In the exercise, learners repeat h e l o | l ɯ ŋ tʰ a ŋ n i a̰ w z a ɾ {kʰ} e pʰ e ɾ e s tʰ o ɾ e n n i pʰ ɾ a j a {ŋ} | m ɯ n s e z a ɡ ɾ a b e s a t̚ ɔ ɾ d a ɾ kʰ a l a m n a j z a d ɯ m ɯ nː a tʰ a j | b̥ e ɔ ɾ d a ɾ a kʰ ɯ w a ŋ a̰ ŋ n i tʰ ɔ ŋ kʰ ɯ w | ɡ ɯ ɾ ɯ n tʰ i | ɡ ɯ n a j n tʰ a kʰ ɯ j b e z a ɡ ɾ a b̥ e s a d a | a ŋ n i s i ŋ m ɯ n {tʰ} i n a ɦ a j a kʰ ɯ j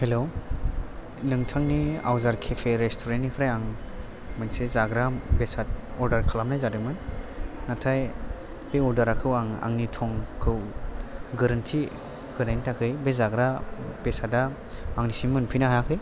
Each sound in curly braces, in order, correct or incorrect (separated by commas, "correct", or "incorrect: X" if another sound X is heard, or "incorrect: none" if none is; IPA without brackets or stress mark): correct, correct, incorrect: pʰ